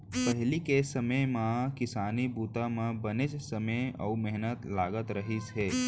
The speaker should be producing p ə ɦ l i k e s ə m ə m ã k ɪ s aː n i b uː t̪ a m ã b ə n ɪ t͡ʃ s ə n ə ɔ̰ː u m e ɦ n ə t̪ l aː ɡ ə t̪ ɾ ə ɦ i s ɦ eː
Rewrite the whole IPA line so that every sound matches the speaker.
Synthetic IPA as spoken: p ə ɦ l i k e s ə m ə m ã k ɪ s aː n i b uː t̪ a m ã b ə n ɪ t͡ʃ s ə m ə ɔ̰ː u m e ɦ n ə t̪ l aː ɡ ə t̪ ɾ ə ɦ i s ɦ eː